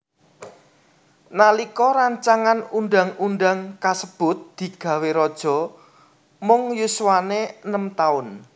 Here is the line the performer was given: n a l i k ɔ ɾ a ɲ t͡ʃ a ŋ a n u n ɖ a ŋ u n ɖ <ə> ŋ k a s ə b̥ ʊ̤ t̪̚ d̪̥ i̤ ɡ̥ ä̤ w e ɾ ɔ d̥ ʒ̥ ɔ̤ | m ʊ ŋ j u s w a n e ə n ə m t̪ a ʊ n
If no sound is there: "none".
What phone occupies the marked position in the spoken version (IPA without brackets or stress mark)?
a